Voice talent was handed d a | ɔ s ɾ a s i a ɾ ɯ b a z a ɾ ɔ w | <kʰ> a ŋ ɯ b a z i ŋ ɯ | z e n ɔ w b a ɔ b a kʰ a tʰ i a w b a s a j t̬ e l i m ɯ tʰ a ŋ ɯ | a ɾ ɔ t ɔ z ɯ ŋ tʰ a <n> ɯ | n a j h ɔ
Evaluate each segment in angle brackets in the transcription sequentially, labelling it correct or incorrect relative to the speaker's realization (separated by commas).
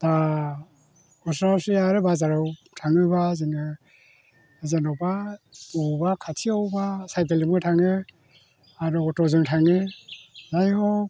incorrect, incorrect